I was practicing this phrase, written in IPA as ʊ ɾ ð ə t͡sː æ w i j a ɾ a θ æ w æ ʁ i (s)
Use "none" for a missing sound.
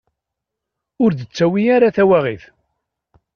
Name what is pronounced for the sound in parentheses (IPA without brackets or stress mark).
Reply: θ